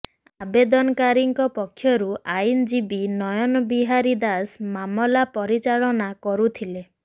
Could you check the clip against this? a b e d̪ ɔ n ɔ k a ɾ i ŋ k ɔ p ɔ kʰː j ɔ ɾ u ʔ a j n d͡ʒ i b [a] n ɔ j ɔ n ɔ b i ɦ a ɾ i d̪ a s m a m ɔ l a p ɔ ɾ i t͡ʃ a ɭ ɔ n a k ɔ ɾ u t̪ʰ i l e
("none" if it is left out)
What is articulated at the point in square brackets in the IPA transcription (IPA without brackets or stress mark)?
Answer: i